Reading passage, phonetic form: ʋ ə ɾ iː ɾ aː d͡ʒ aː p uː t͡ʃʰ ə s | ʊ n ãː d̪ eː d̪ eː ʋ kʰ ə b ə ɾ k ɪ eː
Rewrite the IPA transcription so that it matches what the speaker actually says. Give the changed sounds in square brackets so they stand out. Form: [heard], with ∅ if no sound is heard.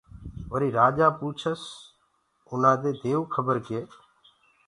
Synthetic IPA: ʋ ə ɾ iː ɾ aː d͡ʒ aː p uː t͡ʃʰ ə s | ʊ n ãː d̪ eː d̪ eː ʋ kʰ ə b ə ɾ k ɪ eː